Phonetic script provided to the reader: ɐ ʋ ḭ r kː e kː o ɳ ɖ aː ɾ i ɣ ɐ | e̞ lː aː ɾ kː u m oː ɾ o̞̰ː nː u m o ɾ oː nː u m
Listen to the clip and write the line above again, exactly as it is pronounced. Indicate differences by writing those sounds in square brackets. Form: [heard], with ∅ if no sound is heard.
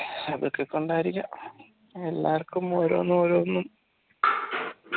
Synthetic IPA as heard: ɐ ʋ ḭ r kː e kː o ɳ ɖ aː ɾ i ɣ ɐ | e̞ lː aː [r] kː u m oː ɾ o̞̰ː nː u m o ɾ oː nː u m